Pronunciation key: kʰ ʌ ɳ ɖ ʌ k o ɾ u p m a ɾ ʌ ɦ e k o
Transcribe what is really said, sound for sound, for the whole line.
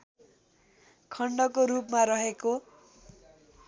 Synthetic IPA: kʰ ʌ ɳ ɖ ʌ k o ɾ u p m a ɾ ʌ ɦ e k o